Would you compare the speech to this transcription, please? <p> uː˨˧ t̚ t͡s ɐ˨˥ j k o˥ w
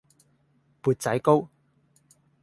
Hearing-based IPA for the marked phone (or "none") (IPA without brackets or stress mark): p